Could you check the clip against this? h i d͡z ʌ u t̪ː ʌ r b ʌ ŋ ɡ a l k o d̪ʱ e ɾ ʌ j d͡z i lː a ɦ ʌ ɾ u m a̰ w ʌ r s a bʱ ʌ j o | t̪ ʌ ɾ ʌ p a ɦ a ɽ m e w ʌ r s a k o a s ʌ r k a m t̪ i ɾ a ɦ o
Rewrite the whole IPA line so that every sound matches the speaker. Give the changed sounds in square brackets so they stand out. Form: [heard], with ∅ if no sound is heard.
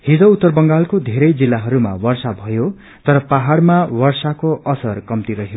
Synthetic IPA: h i d͡z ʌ u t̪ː ʌ r b ʌ ŋ ɡ a l k o d̪ʱ e ɾ ʌ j d͡z i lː a ɦ ʌ ɾ u m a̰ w ʌ r s a bʱ ʌ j o | t̪ ʌ ɾ ʌ p a ɦ a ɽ m [a] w ʌ r s a k o [ʌ] s ʌ r k [ʌ] m t̪ i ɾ [ʌ] ɦ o

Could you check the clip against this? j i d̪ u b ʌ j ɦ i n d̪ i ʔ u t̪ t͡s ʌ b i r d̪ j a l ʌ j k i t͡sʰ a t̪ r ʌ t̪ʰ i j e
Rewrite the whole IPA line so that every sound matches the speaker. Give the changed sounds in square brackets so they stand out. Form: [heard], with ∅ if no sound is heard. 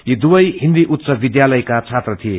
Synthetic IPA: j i d̪ u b ʌ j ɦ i n d̪ i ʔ u t̪ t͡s ʌ b i [∅] d̪ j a l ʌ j k [a] t͡sʰ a t̪ r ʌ t̪ʰ i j e

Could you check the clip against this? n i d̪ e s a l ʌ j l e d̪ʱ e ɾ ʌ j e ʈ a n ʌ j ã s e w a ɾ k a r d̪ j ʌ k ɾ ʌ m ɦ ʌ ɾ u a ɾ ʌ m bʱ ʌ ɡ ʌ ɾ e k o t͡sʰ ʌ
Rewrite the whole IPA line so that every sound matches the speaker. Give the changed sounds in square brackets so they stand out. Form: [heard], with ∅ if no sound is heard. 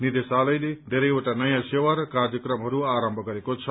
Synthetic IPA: n i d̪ e s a l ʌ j l e d̪ʱ e ɾ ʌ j e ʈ a n ʌ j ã s e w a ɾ k a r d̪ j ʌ k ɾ ʌ m ɦ ʌ ɾ u a ɾ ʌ m bʱ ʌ ɡ ʌ ɾ e k o t͡sʰ ʌ

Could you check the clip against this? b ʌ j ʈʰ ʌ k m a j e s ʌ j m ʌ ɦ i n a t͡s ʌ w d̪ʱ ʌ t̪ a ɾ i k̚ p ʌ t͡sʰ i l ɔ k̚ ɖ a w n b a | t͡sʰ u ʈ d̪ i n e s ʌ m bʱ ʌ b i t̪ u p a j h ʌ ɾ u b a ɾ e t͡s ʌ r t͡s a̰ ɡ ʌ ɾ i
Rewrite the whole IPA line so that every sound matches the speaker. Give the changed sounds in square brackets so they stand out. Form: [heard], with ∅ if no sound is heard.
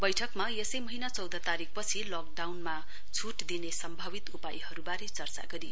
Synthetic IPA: b ʌ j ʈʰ ʌ k m a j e s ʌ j m ʌ ɦ i n a t͡s ʌ w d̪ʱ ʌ t̪ a ɾ i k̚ p ʌ t͡sʰ i l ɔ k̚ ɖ a w n [m] a | t͡sʰ u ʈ d̪ i n e s ʌ m bʱ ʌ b i t̪ u p a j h ʌ ɾ u b a ɾ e t͡s ʌ r t͡s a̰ ɡ ʌ ɾ i

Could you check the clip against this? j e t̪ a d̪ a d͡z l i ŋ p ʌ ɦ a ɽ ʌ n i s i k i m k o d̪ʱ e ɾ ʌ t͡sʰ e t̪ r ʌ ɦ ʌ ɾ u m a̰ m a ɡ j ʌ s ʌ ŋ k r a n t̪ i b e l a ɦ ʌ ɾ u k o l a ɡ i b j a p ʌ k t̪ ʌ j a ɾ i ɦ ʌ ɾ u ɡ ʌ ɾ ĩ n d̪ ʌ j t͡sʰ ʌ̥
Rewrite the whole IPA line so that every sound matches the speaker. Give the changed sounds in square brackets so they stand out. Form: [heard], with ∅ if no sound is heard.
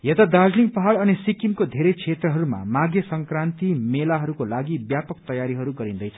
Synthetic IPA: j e t̪ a d̪ a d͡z l i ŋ p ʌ ɦ a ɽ ʌ n i s i k i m k o d̪ʱ e ɾ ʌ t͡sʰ e t̪ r ʌ ɦ ʌ ɾ u m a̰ m a ɡ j ʌ s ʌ ŋ k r a n t̪ i [m] e l a ɦ ʌ ɾ u k o l a ɡ i b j a p ʌ k t̪ ʌ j a ɾ i ɦ ʌ ɾ u ɡ ʌ ɾ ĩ n d̪ ʌ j t͡sʰ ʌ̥

